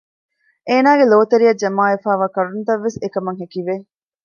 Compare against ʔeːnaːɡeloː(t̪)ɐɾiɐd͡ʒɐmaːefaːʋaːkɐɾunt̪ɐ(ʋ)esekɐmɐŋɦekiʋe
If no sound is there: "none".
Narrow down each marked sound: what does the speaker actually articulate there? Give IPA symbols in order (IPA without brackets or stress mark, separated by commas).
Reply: t̪, ʋː